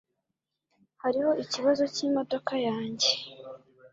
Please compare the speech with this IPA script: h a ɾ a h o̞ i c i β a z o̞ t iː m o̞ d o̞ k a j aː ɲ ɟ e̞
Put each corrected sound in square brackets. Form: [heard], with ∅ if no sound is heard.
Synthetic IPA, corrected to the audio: h a ɾ [i] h o̞ i c i β a z o̞ [c] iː m o̞ d o̞ k a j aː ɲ ɟ e̞